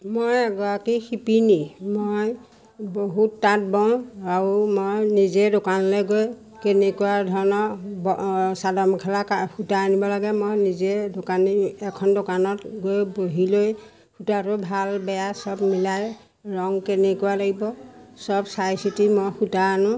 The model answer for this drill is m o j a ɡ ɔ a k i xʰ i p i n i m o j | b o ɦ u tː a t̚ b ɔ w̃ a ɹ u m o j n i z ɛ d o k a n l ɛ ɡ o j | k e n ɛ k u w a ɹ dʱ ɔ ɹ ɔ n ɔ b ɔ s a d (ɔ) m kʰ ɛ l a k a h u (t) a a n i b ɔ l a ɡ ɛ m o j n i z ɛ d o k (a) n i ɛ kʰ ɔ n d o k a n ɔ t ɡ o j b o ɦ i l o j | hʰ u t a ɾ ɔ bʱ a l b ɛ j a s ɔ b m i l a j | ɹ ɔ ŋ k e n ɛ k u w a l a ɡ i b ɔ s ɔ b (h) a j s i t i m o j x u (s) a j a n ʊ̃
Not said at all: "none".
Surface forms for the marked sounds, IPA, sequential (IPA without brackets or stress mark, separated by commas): ɔ, t, a, s, t